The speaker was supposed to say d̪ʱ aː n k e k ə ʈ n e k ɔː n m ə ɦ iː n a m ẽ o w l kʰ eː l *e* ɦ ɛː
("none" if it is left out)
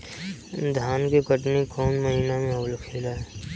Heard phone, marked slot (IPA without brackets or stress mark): a